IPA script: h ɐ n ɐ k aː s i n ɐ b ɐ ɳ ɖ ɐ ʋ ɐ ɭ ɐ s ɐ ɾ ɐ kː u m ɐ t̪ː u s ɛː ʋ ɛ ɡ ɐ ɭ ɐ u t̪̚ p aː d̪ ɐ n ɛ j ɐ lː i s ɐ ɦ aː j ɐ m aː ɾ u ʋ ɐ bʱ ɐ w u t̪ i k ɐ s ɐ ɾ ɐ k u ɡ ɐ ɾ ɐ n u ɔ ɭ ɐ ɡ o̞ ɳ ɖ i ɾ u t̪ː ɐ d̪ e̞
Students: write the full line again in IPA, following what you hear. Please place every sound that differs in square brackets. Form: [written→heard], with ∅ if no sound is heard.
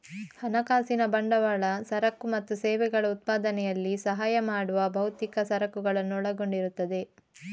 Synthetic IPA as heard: h ɐ n ɐ k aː s i n ɐ b ɐ ɳ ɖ ɐ ʋ ɐ ɭ ɐ s ɐ ɾ ɐ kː u m ɐ t̪ː u s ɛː ʋ ɛ ɡ ɐ ɭ ɐ u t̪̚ p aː d̪ ɐ n ɛ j ɐ lː i s ɐ ɦ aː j ɐ m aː [ɾ→ɽ] u ʋ ɐ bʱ ɐ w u t̪ i k ɐ s ɐ ɾ ɐ k u ɡ ɐ [ɾ→ɭ] ɐ [n→nː] u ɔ ɭ ɐ ɡ o̞ ɳ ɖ i ɾ u t̪ː ɐ d̪ e̞